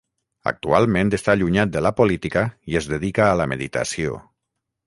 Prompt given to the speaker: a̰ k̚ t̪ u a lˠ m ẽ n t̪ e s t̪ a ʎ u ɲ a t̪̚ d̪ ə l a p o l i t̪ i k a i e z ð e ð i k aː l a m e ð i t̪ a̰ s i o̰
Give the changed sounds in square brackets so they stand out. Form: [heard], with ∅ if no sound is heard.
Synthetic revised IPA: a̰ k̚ t̪ u a lˠ m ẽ n t̪ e s t̪ a ʎ u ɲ a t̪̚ d̪ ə l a p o l i t̪ i k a i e z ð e ð i k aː l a m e ð i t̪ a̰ s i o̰